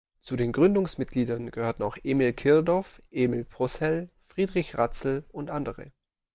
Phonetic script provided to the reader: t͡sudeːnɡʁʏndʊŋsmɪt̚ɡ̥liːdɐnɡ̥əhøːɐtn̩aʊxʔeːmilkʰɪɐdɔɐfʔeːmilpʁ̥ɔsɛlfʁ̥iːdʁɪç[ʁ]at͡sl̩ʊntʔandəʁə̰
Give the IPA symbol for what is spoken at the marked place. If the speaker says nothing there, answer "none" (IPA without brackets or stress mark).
ʁ